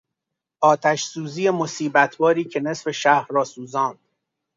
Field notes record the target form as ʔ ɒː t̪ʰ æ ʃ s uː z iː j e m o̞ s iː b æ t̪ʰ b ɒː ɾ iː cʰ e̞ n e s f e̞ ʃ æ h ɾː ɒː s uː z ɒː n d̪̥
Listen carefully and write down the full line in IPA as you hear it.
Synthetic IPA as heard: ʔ ɒː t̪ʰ æ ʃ s uː z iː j e m o̞ s iː b æ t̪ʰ b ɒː ɾ iː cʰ e̞ n e s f e̞ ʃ æ h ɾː ɒː s uː z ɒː n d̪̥